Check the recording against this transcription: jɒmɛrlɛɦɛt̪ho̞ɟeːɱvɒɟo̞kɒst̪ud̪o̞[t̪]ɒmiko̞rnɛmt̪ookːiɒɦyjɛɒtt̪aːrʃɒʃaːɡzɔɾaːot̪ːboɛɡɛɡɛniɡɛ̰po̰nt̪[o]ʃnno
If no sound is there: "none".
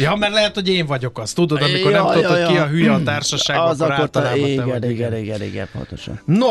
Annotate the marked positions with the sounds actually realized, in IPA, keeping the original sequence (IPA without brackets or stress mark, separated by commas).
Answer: d̪, o